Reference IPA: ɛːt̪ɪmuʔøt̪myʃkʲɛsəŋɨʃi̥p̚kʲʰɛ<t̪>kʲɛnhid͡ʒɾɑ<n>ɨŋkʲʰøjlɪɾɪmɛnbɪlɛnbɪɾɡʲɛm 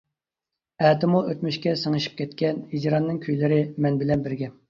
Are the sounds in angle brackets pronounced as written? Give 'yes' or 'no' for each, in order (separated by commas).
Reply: yes, no